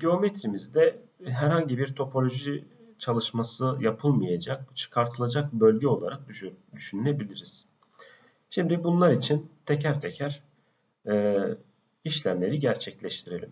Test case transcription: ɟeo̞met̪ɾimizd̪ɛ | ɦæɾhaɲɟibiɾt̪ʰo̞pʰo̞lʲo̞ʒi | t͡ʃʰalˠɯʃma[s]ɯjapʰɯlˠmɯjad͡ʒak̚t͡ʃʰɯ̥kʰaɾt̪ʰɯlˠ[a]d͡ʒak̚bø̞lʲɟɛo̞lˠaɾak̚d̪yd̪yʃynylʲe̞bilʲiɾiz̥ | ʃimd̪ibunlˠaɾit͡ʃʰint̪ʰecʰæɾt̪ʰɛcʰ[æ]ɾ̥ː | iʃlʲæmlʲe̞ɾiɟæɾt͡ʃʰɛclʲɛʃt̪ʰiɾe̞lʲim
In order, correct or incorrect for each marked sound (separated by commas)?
correct, correct, correct